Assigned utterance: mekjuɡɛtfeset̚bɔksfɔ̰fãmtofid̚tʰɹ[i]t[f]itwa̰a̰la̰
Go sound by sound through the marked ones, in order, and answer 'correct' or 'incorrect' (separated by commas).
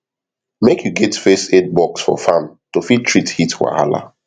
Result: correct, incorrect